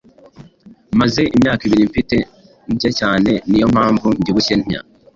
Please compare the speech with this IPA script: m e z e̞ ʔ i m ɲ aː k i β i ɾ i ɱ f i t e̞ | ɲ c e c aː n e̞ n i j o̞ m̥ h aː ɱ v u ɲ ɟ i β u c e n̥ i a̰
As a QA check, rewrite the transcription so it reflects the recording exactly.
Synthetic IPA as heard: m a z e̞ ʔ i m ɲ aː k i β i ɾ i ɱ f i t e̞ | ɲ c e c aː n e̞ n i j o̞ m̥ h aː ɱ v u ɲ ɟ i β u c e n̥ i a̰